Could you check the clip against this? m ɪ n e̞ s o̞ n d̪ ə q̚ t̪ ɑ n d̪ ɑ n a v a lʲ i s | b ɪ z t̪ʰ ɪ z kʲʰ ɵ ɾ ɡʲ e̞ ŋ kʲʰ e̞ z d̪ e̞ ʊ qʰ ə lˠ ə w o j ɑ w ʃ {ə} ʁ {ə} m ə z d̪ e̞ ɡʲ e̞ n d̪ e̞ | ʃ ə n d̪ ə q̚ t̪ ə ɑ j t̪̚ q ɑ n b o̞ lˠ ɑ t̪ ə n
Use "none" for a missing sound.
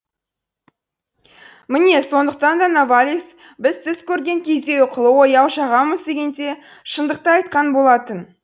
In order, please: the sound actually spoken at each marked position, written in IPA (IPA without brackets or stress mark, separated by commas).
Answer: ɑ, ɑ